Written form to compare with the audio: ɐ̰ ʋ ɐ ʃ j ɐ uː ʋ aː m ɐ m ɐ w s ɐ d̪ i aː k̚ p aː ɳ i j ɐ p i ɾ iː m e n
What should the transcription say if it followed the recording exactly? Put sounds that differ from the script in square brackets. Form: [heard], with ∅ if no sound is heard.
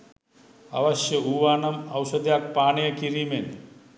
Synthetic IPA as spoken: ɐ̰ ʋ ɐ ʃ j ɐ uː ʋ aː [n] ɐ m ɐ w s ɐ d̪ [j] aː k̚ p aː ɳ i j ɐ [k] i ɾ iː m e n